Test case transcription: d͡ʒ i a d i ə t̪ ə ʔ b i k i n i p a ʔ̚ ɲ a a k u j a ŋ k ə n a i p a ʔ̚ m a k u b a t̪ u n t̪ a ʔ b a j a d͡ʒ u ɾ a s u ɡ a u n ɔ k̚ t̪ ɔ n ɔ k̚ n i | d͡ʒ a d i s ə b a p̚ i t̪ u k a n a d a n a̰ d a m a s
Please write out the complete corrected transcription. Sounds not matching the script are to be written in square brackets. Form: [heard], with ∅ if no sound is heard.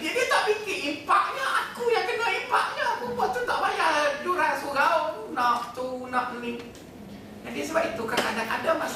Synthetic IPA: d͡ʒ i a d i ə t̪ [a] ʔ b i k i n i p a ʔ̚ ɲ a a k u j a ŋ k ə n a i p a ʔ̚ [ɲ] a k u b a t̪ u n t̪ a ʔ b a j a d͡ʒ u ɾ a s u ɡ a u n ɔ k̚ t̪ [u] n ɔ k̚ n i | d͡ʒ a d i s ə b a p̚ i t̪ u k a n a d a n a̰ d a m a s